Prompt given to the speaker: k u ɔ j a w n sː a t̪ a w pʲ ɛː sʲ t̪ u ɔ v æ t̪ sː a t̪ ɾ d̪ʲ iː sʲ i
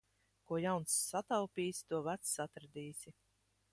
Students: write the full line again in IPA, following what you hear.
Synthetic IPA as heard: k u ɔ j a w n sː a t̪ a w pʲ iː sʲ t̪ u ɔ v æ t̪ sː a t̪ ɾ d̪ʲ iː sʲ i